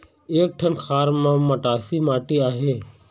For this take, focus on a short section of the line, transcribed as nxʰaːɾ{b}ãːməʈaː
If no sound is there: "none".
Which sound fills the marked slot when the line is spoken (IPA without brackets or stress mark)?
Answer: m